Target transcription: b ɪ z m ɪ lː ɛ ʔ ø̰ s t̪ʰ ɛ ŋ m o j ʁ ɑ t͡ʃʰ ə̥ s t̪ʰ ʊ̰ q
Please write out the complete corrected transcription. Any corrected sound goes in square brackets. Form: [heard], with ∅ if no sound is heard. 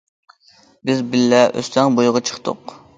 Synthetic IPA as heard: b ɪ z [b] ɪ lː ɛ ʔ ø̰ s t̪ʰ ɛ ŋ [b] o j ʁ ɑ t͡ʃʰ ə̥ [χ] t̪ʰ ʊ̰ q